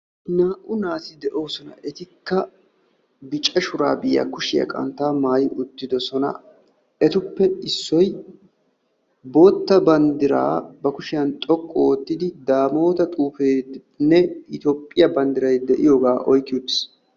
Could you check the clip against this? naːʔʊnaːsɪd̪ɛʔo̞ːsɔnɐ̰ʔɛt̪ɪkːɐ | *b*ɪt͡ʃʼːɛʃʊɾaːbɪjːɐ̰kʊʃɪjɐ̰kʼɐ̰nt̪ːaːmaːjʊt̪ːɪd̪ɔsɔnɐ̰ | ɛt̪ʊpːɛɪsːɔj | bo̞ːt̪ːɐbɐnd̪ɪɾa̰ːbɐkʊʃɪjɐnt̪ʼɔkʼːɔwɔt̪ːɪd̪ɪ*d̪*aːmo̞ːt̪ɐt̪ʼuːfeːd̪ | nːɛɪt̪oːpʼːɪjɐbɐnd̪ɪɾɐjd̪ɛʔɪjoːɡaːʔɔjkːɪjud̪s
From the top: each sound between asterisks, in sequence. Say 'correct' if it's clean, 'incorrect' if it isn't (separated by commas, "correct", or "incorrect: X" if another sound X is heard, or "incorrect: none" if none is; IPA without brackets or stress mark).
correct, correct